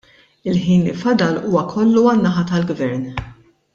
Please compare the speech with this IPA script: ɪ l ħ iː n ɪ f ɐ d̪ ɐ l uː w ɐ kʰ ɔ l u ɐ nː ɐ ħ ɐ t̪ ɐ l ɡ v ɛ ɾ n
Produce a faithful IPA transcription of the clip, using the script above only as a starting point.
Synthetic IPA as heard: ɪ l ħ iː n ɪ f ɐ d̪ ɐ l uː w ɐ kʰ ɔ lː u ɐ nː ɐ ħ ɐ t̪ ɐ l ɡ v ɛ ɾ n